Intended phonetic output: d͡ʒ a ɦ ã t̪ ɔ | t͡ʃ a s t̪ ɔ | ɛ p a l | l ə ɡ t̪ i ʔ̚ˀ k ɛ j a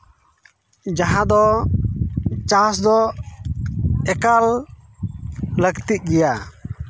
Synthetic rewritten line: d͡ʒ a ɦ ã d̪ ɔ | t͡ʃ a s d̪ ɔ | ɛ k a l | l ə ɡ t̪ i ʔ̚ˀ ɡ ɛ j a